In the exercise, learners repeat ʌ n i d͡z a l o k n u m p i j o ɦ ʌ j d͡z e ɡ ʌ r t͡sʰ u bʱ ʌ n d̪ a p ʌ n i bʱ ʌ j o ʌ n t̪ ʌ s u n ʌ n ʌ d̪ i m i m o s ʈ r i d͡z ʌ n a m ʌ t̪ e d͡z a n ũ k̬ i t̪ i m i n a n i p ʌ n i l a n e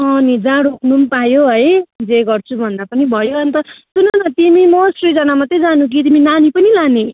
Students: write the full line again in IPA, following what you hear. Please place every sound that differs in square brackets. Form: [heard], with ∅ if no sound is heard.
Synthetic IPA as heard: ʌ n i d͡z a [ɽ] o k n u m p [a] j o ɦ ʌ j d͡z e ɡ ʌ r t͡sʰ u bʱ ʌ n d̪ a p ʌ n i bʱ ʌ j o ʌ n t̪ ʌ s u n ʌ n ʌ [t̪] i m i m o s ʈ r i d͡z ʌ n a m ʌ t̪ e d͡z a n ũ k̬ i t̪ i m i n a n i p ʌ n i l a n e